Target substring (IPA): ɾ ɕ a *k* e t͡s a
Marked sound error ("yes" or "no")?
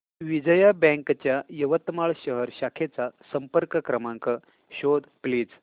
yes